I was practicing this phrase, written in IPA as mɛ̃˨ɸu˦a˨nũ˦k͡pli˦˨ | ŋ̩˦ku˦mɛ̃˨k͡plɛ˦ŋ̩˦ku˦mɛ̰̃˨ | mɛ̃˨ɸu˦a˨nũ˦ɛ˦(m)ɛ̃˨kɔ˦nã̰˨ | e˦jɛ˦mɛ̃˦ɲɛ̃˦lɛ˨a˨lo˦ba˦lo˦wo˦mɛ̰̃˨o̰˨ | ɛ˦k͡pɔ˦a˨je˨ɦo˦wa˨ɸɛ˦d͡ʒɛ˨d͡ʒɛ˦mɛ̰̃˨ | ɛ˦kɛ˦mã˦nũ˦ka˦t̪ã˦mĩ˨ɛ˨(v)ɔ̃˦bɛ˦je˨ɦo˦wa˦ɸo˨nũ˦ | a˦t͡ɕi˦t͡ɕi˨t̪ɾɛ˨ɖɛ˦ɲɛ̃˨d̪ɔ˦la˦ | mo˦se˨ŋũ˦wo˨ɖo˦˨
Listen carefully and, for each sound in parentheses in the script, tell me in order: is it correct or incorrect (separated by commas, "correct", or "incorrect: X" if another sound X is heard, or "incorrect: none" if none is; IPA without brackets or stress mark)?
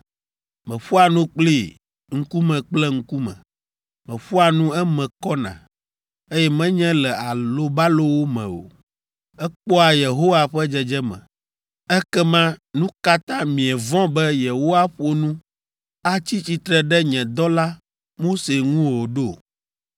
correct, correct